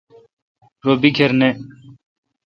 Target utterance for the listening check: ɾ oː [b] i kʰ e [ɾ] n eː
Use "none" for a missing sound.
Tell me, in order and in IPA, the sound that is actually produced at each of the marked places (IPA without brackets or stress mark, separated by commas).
b, ɾ